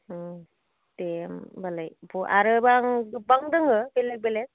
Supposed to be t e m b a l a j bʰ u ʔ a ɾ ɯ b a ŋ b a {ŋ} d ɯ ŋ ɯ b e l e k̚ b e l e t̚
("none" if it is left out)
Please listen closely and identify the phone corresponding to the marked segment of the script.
ŋ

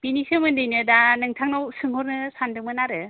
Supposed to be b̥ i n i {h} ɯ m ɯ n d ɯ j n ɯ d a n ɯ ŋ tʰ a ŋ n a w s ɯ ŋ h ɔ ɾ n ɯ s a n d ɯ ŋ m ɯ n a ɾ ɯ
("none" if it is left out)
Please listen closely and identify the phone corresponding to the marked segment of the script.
s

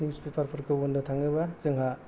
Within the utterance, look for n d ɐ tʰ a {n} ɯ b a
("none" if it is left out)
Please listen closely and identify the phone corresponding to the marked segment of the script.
ŋ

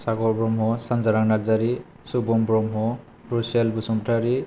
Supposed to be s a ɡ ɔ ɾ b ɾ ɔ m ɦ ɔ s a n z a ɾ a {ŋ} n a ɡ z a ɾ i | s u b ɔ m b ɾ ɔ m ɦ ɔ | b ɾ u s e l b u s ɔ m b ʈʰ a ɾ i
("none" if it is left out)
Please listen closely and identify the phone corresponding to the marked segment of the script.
ŋ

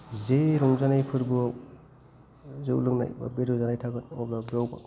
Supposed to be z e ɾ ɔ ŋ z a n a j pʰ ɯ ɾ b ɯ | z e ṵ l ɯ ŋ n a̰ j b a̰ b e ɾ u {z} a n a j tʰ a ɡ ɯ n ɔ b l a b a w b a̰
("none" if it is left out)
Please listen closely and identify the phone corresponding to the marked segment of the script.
z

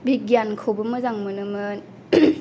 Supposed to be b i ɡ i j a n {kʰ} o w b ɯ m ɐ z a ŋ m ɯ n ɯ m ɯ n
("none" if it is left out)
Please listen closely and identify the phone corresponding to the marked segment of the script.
kʰ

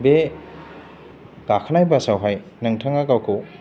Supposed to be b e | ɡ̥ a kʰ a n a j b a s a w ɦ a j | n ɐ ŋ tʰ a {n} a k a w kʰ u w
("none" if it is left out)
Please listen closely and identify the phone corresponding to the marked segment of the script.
ŋ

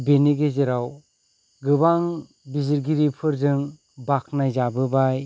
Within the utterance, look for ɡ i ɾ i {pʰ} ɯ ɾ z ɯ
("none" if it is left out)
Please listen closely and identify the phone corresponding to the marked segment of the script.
pʰ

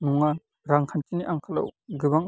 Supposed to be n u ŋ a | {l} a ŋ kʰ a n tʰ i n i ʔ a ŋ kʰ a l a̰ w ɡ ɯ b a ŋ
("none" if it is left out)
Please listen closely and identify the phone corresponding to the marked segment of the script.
ɾ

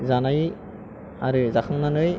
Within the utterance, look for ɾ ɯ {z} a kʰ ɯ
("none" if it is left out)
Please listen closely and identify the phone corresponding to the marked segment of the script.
z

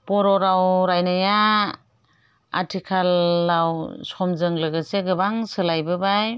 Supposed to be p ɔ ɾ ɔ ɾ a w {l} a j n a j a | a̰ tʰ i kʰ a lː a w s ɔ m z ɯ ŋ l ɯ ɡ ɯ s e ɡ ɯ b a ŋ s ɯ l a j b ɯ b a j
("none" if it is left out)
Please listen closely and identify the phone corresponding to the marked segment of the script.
ɾ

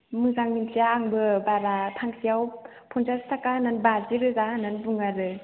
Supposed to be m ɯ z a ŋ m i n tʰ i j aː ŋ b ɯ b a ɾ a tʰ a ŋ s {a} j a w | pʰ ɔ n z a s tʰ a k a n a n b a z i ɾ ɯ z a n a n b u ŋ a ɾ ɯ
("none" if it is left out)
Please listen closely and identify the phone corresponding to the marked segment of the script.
i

